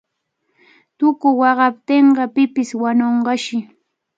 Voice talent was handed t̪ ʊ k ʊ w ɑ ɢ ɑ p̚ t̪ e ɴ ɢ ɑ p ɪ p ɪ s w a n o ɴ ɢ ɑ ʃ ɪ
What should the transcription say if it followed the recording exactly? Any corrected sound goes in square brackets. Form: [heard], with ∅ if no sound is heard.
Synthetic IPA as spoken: t̪ ʊ k ʊ w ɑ ɢ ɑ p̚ t̪ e ɴ ɢ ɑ p ɪ p ɪ s w a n o ɴ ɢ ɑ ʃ ɪ